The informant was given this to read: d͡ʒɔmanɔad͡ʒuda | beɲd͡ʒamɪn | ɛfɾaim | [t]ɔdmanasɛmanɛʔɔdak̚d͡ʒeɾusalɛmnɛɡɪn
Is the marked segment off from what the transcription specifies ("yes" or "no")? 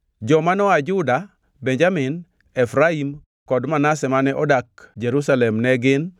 yes